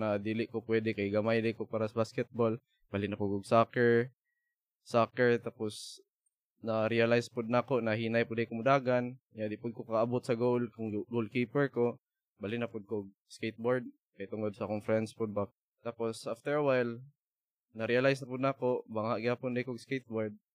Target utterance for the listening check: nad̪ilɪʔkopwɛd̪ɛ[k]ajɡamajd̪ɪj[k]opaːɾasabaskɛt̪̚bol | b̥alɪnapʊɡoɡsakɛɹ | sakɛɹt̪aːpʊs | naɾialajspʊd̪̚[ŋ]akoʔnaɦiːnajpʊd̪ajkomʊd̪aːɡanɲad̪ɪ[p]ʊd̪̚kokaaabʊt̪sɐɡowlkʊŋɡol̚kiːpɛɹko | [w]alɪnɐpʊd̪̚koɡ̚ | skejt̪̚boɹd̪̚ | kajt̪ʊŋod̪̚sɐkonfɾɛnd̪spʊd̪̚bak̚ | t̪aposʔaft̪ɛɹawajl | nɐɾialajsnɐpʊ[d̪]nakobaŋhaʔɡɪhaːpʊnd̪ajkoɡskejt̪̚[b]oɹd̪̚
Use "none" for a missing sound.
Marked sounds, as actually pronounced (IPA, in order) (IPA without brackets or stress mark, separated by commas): k, k, n, p, b, d̪, b